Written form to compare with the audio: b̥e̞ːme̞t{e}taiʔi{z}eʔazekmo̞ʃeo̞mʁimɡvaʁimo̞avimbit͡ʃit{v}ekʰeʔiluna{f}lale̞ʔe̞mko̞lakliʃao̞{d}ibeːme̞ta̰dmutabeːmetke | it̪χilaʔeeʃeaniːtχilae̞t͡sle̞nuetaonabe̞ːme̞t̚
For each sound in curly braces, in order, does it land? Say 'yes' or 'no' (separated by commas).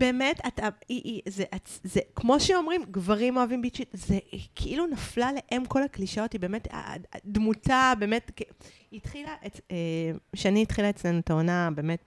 no, yes, no, yes, no